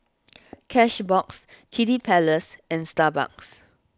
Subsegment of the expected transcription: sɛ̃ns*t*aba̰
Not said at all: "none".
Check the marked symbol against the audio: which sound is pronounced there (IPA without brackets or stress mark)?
t